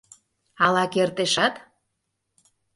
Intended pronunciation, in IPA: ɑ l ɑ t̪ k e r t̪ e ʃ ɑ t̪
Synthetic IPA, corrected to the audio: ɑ l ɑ k e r t̪ e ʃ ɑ t̪